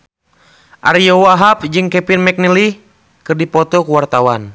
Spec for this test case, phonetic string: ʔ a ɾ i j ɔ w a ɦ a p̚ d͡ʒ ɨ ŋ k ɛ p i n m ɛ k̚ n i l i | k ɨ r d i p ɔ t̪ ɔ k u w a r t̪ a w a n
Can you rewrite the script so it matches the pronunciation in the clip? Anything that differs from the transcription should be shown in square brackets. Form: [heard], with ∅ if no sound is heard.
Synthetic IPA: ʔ a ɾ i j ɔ w a ɦ a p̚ d͡ʒ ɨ ŋ k ɛ p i n m ɛ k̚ n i l i | k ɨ r d i p ɔ t̪ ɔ k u w a r t̪ a w a n